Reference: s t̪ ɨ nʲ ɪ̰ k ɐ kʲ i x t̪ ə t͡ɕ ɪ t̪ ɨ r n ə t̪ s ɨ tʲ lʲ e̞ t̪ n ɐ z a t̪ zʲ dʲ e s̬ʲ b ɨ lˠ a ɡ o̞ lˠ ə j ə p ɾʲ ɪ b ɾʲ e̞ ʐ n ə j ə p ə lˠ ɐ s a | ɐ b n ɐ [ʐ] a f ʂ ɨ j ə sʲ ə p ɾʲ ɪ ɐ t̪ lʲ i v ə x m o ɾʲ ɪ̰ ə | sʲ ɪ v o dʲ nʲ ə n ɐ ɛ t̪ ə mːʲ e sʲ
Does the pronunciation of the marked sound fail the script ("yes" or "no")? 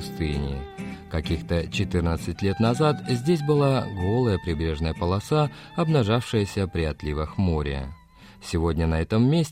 no